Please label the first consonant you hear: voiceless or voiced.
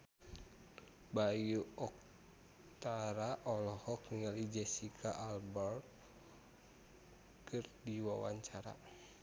voiced